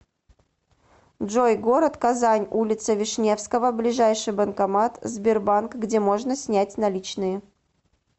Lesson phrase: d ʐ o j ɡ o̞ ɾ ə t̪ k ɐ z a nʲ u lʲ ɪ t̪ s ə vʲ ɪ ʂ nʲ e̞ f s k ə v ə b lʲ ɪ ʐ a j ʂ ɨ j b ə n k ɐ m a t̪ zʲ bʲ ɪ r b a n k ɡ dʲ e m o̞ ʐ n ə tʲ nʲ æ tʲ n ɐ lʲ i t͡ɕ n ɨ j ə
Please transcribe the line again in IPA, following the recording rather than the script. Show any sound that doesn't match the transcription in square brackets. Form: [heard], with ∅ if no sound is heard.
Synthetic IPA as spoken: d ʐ o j ɡ o̞ ɾ ə t̪ k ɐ z a nʲ u lʲ ɪ t̪ s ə vʲ ɪ ʂ nʲ e̞ f s k ə v ə b lʲ ɪ ʐ a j ʂ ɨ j b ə n k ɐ m a t̪ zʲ bʲ ɪ r b a n k ɡ dʲ e m o̞ ʐ n ə [sʲ] nʲ æ tʲ n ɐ lʲ i t͡ɕ n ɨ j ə